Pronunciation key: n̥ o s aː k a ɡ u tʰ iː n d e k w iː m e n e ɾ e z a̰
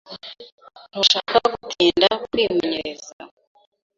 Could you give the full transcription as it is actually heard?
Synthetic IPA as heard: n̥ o ʃ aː k a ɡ u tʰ iː n d a k w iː m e ɲ e ɾ e z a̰